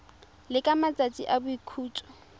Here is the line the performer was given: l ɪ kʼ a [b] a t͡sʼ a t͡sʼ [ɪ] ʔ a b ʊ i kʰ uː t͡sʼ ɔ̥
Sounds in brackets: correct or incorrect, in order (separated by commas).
incorrect, incorrect